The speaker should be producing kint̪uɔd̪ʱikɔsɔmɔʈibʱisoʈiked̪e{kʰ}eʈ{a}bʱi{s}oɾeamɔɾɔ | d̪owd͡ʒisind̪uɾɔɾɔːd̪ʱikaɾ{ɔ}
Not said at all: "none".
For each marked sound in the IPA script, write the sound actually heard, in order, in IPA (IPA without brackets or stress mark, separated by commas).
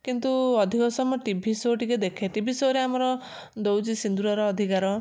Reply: kʰ, i, s, ɔ